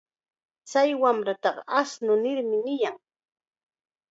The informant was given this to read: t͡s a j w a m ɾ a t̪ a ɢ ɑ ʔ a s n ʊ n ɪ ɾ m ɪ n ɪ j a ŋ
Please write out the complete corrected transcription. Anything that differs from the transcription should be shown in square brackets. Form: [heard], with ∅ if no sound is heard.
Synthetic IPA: t͡s a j w a m ɾ a t̪ [ɑ] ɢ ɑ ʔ a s n ʊ n ɪ ɾ m ɪ n ɪ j a ŋ